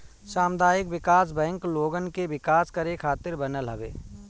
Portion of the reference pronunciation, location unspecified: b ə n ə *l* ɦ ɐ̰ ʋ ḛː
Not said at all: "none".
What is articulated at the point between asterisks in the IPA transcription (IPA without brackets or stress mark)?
l